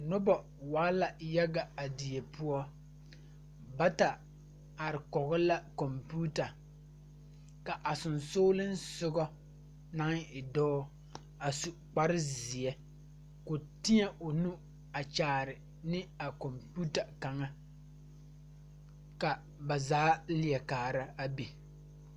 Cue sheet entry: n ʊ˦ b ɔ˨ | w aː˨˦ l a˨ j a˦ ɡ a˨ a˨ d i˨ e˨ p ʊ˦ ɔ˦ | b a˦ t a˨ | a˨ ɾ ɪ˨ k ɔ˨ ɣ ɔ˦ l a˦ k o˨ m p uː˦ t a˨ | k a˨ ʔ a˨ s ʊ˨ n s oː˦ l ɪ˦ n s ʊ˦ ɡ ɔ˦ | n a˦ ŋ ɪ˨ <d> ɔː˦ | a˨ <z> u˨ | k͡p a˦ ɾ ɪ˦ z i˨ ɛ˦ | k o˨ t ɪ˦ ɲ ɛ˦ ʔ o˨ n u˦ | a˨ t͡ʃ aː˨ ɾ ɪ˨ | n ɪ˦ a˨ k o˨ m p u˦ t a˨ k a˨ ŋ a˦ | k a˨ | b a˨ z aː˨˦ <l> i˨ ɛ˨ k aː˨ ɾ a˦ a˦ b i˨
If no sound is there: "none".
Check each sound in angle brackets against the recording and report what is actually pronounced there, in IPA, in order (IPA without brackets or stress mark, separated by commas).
d, s, l